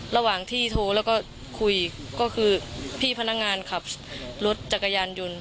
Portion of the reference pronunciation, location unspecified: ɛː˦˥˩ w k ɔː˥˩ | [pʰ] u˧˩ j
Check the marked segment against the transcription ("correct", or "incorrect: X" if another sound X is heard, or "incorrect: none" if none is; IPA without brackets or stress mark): incorrect: kʰ